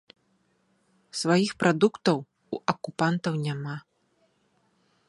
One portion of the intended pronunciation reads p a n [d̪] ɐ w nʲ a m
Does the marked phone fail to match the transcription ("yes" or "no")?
yes